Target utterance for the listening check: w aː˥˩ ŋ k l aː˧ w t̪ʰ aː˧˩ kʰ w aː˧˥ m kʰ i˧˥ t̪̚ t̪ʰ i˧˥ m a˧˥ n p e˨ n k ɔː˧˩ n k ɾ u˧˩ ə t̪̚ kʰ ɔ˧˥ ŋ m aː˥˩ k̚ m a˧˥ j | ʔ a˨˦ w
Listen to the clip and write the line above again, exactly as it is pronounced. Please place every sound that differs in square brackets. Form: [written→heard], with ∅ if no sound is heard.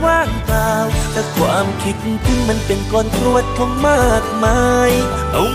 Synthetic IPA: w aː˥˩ ŋ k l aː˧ w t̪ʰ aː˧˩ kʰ w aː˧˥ m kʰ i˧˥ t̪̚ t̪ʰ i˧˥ m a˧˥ n p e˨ n k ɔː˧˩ n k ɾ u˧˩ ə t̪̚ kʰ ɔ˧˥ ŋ m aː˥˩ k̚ m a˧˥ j | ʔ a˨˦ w